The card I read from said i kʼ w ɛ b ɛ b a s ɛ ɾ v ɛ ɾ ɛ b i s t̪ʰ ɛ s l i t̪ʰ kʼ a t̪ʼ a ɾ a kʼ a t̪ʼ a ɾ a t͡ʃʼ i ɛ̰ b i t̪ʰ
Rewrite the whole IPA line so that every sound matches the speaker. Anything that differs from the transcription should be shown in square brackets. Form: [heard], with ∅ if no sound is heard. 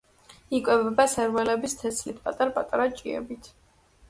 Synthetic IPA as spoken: i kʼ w ɛ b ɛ b a s ɛ ɾ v ɛ [l] ɛ b i s t̪ʰ ɛ s l i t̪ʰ [pʼ] a t̪ʼ a ɾ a [pʼ] a t̪ʼ a ɾ a t͡ʃʼ i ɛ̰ b i t̪ʰ

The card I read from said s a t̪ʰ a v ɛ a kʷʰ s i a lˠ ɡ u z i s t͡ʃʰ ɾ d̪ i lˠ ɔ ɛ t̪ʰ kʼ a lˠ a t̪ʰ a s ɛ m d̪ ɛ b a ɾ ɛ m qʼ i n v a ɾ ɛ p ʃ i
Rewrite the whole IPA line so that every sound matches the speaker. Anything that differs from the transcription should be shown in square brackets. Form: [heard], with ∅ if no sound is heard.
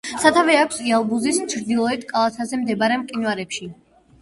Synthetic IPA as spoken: s a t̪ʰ a v ɛ a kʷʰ s i a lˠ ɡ u z i s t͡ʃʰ ɾ d̪ i lˠ ɔ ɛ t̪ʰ kʼ a lˠ a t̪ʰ a [z] ɛ m d̪ ɛ b a ɾ ɛ m qʼ i n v a ɾ ɛ p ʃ i

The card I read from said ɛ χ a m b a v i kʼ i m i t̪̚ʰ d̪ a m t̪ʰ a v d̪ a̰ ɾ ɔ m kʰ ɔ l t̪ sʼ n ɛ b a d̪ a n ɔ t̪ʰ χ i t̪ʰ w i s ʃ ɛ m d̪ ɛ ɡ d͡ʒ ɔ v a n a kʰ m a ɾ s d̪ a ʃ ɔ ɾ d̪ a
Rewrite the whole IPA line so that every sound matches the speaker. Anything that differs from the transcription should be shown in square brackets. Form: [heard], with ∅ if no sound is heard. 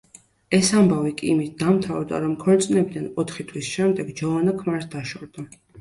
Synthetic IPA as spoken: ɛ [s] a m b a v i kʼ i m i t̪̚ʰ d̪ a m t̪ʰ a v d̪ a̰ ɾ ɔ m kʰ ɔ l t̪ sʼ n ɛ b [i] d̪ a n ɔ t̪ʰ χ i t̪ʰ w i s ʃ ɛ m d̪ ɛ ɡ d͡ʒ ɔ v a n a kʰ m a ɾ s d̪ a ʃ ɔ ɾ d̪ a

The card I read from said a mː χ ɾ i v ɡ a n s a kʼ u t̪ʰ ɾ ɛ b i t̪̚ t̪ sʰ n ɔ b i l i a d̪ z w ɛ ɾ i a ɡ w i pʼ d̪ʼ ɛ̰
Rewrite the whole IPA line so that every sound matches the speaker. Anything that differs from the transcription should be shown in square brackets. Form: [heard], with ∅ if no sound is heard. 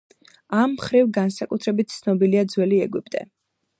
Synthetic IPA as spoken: a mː χ ɾ i v ɡ a n s a kʼ u t̪ʰ ɾ ɛ b i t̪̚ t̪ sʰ n ɔ b i l i a d̪ z w ɛ [l] i [ɛ] ɡ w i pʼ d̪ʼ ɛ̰

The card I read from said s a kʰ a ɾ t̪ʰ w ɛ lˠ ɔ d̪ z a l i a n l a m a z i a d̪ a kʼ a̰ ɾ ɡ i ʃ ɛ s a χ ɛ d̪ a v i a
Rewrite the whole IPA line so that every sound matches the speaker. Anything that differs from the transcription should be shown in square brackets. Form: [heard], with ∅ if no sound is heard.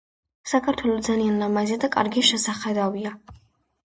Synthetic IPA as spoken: s a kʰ a ɾ t̪ʰ w ɛ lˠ ɔ d̪ z a l i a n l a m a z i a d̪ a kʼ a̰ ɾ ɡ i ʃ ɛ s a χ ɛ d̪ a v i a

